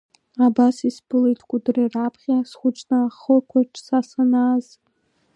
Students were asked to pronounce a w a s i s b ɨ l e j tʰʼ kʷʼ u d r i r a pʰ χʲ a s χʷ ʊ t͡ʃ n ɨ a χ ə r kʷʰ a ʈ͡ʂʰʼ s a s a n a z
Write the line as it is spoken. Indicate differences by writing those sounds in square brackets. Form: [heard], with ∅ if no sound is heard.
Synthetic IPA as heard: a [b] a s i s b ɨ l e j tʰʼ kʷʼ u d r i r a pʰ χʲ a s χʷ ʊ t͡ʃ n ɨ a χ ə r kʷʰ a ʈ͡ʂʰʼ s a s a n a z